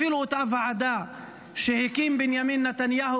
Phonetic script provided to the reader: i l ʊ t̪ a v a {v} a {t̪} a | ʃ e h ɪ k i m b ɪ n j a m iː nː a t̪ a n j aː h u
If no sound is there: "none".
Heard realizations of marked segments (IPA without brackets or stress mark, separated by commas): ʕ, d̪